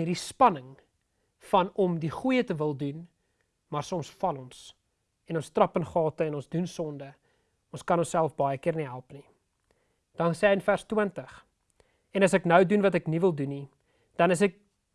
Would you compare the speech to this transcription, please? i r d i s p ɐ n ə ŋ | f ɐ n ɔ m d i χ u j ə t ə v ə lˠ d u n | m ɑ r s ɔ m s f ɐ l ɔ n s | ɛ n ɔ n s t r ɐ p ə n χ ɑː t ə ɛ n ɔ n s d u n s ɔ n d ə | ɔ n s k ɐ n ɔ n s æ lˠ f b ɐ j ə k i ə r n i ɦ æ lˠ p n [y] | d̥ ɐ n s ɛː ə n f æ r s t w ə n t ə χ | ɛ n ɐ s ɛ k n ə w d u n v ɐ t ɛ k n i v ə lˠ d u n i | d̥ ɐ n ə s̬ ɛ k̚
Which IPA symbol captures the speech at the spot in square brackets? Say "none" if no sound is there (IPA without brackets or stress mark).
i